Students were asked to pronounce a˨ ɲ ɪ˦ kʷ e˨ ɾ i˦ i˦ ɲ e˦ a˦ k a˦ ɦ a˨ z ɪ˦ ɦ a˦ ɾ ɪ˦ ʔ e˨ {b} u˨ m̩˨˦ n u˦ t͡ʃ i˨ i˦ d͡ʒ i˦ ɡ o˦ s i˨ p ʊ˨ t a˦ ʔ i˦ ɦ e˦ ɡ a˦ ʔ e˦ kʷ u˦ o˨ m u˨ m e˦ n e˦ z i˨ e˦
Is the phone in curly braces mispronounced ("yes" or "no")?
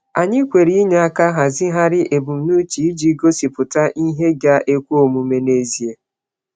no